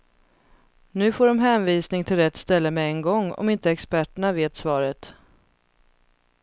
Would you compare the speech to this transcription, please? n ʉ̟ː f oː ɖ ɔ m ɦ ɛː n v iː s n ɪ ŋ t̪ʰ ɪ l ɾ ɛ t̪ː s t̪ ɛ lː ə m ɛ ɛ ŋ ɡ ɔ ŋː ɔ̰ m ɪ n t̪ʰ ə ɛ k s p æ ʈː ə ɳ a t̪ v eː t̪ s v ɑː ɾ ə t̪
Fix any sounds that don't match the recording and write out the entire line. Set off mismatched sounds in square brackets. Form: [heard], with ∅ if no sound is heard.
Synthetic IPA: n ʉ̟ː f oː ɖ ɔ m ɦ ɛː n v iː s n ɪ ŋ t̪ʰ ɪ l ɾ ɛ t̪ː s t̪ ɛ lː ə m ɛ ɛ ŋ ɡ ɔ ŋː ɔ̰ m ɪ n [t̪] ə ɛ k s p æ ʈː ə ɳ a [∅] v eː t̪ s v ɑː ɾ ə t̪